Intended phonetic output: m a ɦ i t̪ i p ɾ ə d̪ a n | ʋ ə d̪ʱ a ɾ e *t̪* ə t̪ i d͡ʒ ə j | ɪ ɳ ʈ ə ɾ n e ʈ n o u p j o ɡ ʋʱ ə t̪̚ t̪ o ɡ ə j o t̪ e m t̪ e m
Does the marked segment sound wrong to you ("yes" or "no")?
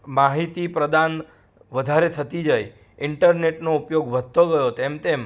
yes